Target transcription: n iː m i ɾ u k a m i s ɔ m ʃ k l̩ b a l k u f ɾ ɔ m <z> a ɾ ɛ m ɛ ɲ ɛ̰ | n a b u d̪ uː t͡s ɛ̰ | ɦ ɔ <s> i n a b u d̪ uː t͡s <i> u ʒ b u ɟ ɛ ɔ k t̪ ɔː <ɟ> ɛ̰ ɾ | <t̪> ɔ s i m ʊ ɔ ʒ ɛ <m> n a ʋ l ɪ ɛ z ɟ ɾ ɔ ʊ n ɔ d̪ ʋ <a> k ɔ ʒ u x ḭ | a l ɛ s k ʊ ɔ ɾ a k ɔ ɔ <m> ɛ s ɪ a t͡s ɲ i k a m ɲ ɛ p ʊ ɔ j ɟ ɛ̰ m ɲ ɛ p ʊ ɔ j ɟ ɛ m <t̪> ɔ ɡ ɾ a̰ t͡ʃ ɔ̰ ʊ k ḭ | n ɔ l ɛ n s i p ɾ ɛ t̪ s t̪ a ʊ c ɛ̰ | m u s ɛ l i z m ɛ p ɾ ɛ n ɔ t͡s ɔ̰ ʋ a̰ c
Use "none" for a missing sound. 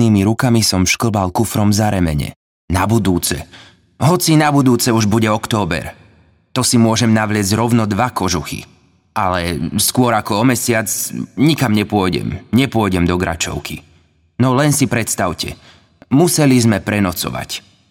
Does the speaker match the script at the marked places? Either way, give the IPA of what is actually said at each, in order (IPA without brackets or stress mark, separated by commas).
z, t͡s, ɛ, b, t̪, m, a, m, d̪